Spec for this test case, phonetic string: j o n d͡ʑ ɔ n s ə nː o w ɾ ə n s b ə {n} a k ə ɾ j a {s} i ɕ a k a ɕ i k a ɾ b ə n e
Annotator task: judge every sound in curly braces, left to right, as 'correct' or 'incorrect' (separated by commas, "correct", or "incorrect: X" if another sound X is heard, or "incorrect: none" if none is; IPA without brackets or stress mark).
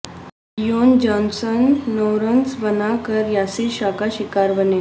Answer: correct, correct